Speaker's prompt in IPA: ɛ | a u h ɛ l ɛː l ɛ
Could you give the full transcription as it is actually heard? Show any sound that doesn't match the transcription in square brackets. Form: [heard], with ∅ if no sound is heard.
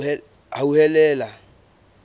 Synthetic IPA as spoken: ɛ | a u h ɛ l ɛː l [a]